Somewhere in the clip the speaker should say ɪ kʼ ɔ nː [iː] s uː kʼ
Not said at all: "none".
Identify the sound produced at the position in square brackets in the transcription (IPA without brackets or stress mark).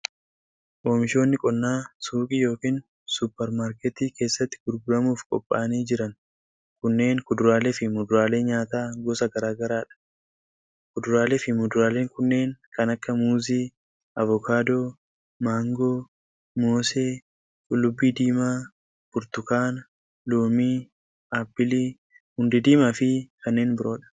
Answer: aː